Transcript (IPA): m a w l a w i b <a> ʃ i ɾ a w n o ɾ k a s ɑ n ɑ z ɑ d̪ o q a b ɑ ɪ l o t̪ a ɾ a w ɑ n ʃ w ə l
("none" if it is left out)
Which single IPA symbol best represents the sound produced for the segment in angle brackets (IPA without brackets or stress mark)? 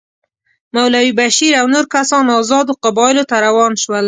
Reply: a